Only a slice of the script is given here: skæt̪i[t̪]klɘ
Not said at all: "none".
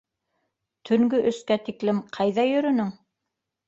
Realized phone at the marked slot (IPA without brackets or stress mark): none